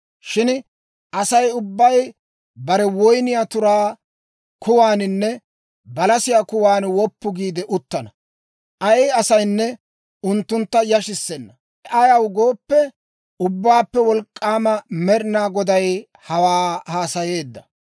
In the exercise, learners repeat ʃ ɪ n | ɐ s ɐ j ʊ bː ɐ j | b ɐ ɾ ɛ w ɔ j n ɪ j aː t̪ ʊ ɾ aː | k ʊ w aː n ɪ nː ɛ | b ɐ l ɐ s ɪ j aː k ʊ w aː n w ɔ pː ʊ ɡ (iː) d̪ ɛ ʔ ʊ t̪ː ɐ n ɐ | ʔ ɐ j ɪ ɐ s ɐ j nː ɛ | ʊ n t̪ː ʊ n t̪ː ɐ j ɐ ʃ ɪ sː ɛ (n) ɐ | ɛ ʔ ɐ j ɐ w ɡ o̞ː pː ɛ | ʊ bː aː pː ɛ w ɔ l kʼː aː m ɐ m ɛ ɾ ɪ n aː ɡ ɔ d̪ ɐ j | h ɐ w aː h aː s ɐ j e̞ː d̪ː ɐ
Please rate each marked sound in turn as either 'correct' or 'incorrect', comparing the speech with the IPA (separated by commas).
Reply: correct, incorrect